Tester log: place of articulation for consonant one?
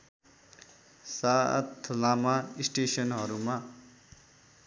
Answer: alveolar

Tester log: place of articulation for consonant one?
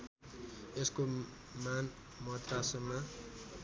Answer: alveolar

